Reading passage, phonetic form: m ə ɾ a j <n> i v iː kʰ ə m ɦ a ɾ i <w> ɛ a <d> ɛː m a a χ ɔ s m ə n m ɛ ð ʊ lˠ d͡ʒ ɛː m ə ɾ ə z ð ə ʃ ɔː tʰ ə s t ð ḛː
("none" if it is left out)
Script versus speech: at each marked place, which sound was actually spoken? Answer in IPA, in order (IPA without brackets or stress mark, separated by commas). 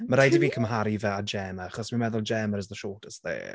d, v, d͡ʒ